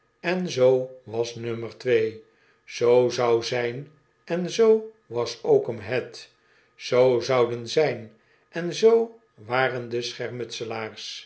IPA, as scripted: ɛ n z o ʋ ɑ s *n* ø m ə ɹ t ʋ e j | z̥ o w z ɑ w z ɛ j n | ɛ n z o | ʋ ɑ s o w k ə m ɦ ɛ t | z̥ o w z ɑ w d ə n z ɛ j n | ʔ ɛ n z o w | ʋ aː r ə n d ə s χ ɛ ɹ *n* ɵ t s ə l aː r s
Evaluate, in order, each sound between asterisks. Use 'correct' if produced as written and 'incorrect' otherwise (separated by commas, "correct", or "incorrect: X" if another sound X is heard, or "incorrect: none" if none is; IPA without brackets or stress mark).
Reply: correct, incorrect: m